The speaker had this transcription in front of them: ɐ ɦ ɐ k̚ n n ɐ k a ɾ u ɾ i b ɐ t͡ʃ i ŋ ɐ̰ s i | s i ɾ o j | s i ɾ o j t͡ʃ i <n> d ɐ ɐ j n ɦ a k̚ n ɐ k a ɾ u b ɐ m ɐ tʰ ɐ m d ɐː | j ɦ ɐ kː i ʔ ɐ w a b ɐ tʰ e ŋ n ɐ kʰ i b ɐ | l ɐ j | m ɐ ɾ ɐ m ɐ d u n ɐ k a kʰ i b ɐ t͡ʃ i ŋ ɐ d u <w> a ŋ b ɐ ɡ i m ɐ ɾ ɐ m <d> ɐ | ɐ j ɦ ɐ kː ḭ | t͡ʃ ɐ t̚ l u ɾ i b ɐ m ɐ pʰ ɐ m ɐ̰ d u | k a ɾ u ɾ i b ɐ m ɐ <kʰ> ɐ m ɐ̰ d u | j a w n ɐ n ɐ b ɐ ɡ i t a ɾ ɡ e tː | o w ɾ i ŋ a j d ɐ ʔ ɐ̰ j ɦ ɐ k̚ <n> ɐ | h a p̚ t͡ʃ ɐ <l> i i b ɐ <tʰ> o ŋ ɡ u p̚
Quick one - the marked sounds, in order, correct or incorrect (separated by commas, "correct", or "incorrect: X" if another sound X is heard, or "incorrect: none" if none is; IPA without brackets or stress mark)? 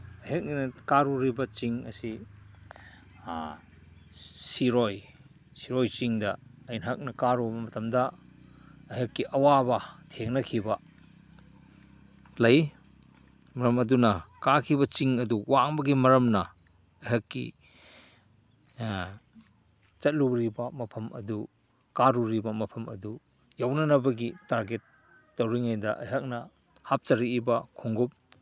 incorrect: ŋ, correct, incorrect: n, incorrect: pʰ, correct, incorrect: ɾ, incorrect: kʰ